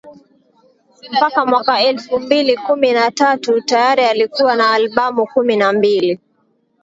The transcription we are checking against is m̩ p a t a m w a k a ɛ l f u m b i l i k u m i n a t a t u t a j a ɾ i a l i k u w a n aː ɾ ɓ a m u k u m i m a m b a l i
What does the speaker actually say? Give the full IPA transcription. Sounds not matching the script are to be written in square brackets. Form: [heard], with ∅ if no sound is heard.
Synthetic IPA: m̩ p a [k] a m w a k a ɛ l f u m b i l i k u m i n a t a t u t a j a ɾ i a l i k u w a n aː [l] ɓ a m u k u m i [n] a m b [i] l i